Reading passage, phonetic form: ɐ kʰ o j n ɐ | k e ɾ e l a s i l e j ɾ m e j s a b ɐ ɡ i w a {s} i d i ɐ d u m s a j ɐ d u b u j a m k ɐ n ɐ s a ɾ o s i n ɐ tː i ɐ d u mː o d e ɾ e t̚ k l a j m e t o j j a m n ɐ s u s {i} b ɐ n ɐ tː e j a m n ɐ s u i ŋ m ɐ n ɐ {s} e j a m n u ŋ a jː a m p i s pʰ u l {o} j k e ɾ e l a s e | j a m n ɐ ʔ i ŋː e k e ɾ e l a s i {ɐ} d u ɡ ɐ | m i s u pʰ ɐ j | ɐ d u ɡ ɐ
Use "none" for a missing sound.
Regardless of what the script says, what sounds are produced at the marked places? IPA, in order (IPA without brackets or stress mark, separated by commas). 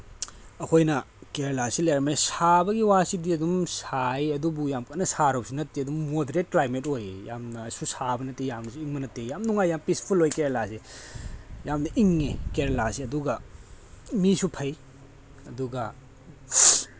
s, a, t, o, ɐ